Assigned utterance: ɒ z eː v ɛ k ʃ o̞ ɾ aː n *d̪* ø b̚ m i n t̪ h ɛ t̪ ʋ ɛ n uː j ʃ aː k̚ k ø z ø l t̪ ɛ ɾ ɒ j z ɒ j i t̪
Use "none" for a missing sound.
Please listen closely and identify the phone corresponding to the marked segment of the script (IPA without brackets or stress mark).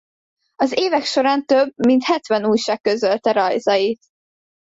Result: t̪